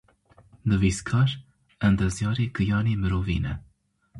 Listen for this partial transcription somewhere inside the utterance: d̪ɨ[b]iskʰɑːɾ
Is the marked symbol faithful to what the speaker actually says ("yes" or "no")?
no